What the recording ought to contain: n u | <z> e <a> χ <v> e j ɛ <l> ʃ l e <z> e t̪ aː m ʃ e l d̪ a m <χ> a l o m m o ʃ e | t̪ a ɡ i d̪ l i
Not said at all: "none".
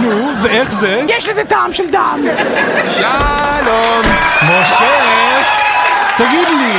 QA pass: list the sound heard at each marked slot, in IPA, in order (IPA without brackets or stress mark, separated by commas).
v, e, z, none, z, ʃ